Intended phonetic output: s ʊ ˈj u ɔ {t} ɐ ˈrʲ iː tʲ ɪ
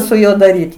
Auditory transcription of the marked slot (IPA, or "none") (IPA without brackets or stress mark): d